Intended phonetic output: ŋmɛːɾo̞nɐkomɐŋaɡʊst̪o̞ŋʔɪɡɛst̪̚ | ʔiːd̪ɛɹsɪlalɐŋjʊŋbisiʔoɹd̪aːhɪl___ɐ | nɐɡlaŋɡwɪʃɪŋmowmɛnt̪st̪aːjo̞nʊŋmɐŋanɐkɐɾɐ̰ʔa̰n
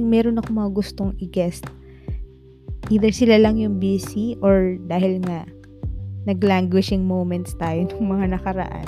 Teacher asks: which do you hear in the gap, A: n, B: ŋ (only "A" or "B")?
B